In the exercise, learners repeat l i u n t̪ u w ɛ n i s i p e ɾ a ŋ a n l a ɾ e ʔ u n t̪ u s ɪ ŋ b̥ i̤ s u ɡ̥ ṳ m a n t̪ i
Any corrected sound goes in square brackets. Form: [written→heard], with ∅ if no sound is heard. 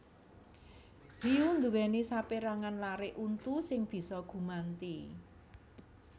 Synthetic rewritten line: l i u n [t̪→d̪] u w ɛ n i s [i→a] p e ɾ a ŋ a n l a ɾ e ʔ u n t̪ u s ɪ ŋ b̥ i̤ s [u→ɔ] ɡ̥ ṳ m a n t̪ i